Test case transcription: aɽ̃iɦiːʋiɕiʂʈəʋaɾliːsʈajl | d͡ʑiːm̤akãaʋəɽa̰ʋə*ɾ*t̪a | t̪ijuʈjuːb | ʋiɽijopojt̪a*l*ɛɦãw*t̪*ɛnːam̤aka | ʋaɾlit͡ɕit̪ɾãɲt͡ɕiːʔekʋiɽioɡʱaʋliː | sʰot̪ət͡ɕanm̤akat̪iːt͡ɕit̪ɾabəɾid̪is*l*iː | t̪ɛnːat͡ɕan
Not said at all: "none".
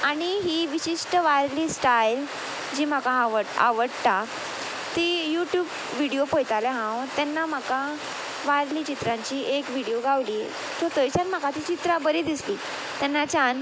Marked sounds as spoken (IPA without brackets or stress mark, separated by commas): ɽ, l, t̪, l